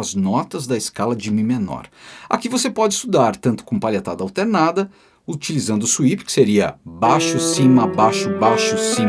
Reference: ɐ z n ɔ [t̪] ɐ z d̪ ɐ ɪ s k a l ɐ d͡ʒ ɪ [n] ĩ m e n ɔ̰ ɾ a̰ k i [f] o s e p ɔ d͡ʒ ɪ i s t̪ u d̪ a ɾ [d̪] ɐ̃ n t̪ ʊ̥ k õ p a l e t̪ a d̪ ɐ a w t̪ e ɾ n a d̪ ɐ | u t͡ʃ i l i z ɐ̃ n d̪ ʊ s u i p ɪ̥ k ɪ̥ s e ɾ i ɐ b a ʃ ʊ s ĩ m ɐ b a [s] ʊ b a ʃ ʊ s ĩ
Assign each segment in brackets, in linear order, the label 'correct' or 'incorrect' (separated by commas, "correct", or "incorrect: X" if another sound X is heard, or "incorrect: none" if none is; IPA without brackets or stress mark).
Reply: correct, incorrect: m, incorrect: v, incorrect: t̪, incorrect: ʃ